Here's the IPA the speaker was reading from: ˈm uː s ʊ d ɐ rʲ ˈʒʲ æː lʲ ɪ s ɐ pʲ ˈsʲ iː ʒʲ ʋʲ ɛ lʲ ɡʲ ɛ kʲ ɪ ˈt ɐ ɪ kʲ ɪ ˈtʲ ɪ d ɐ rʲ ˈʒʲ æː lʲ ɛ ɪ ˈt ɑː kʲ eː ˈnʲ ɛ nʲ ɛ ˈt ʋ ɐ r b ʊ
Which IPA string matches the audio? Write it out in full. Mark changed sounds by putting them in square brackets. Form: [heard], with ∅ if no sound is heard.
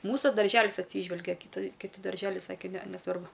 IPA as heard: ˈm uː s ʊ d ɐ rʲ ˈʒʲ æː lʲ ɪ s ɐ [tʲ] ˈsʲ iː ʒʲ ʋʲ ɛ lʲ ɡʲ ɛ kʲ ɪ ˈt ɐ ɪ kʲ ɪ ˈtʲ ɪ d ɐ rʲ ˈʒʲ æː lʲ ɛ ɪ [ˈs] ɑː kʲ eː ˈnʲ ɛ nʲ ɛ [ˈs] ʋ ɐ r b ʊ